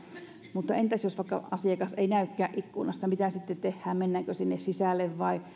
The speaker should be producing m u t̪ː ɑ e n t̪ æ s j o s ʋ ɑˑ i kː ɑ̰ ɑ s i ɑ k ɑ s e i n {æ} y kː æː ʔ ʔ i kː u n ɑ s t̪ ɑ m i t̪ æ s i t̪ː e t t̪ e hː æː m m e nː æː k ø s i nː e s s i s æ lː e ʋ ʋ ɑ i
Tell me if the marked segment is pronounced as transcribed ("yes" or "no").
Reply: yes